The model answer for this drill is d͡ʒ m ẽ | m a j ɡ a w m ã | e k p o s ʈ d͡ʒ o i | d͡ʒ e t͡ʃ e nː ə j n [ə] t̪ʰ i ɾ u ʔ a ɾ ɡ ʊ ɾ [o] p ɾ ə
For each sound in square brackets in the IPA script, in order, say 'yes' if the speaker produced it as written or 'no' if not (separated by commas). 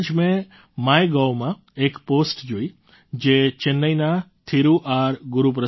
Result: no, no